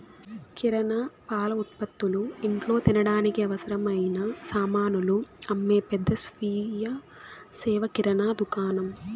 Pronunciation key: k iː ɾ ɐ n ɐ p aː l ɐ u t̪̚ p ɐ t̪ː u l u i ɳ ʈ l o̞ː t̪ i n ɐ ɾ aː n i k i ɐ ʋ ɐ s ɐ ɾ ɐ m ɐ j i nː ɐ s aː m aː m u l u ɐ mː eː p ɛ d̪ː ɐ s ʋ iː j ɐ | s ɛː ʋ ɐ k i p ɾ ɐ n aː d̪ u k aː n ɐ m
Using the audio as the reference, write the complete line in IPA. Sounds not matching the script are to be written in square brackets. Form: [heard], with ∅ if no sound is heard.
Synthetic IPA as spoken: k [i] ɾ ɐ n ɐ p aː l ɐ u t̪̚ p ɐ t̪ː u l u i ɳ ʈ l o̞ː t̪ i n ɐ [ɽ] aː n i k i ɐ ʋ ɐ s ɐ ɾ ɐ m ɐ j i [n] ɐ s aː m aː [n] u l u ɐ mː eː p ɛ d̪ː ɐ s ʋ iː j ɐ | s ɛː ʋ ɐ k i [∅] ɾ ɐ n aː d̪ u k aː n ɐ m